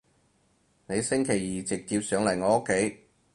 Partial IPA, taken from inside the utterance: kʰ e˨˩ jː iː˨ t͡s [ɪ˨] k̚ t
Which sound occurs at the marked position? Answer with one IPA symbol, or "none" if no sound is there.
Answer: ɪ˨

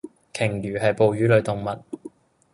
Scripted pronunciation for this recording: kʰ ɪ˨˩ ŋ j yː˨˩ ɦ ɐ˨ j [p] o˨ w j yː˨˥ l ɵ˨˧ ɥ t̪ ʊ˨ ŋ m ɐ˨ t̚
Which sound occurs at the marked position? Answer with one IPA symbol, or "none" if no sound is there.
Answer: p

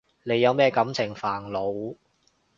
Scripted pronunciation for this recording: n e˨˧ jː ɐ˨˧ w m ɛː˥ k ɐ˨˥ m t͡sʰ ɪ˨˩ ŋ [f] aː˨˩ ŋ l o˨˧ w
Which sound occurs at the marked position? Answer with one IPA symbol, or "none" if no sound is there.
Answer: f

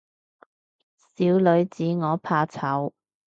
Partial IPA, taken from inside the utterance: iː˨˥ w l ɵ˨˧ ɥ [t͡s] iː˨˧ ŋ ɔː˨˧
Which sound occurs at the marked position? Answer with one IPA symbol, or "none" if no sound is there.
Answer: t͡s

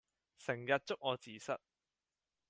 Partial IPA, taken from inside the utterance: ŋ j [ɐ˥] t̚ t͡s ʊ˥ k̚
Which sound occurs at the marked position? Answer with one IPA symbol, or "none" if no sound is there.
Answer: ɐ˨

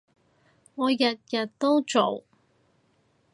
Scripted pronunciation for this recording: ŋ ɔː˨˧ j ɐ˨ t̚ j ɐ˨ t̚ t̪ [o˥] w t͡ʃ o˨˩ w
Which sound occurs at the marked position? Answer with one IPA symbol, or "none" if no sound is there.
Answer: o˥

